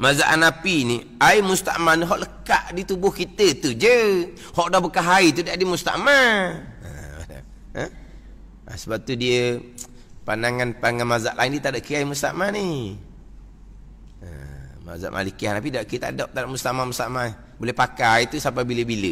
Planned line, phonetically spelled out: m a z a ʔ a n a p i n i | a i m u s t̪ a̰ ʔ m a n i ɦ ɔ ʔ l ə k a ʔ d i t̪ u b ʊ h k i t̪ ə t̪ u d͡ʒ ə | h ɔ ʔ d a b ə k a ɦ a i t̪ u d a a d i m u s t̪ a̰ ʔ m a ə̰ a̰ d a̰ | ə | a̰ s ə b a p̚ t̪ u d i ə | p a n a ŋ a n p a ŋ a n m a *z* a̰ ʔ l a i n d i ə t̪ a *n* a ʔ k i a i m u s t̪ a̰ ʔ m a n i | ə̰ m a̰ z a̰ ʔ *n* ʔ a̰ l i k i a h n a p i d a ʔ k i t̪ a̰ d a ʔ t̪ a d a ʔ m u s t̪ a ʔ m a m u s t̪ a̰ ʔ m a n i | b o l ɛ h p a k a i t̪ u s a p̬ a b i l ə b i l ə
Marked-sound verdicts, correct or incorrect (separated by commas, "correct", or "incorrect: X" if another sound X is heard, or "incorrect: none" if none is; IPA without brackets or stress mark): correct, incorrect: d, incorrect: m